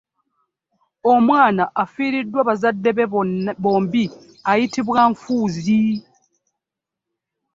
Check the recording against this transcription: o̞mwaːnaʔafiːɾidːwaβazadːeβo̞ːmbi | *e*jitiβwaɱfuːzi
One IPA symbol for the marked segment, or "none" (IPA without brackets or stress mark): a